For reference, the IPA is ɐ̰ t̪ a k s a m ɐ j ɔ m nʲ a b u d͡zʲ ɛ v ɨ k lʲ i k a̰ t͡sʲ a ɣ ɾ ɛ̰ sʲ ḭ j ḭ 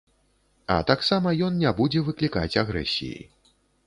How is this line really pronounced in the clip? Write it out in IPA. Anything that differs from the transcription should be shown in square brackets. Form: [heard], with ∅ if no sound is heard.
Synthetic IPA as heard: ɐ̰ t̪ a k s a m ɐ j ɔ [n] nʲ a b u d͡zʲ ɛ v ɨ k lʲ i k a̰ t͡sʲ a ɣ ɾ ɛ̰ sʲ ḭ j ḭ